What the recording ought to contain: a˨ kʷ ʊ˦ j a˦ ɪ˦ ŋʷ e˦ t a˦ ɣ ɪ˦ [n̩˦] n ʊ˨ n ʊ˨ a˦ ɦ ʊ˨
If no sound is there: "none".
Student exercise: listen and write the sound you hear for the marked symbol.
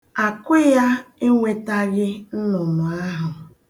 n̩˦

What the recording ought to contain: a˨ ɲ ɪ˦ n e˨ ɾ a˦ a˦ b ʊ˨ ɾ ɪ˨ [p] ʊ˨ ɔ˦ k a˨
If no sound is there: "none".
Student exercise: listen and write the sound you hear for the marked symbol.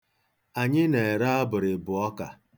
b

